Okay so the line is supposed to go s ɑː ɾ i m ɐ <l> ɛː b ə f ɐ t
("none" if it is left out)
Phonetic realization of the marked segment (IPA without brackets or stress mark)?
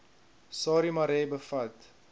ɾ